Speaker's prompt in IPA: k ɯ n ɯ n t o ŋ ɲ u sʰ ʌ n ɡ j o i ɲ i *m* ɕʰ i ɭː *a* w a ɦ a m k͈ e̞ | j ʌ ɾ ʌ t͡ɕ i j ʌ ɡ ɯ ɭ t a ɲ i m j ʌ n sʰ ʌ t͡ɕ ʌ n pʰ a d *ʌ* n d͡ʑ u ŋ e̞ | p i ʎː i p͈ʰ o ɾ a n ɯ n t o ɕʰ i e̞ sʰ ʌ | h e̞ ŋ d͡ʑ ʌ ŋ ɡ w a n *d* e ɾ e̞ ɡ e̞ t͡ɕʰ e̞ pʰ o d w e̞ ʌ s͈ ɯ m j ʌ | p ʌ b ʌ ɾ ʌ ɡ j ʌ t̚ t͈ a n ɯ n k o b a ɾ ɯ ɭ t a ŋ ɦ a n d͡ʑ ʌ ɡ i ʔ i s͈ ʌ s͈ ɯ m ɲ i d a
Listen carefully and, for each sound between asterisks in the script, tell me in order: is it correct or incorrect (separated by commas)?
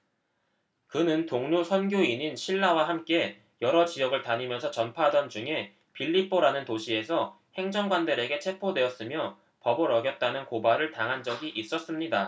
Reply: incorrect, correct, correct, correct